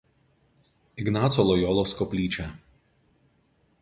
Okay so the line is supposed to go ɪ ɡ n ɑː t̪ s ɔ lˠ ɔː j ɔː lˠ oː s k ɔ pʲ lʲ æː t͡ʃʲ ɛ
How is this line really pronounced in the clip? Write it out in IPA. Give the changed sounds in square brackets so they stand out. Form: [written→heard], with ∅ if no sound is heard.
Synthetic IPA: ɪ ɡ n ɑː t̪ s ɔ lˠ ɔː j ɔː lˠ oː s k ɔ pʲ lʲ [æː→iː] t͡ʃʲ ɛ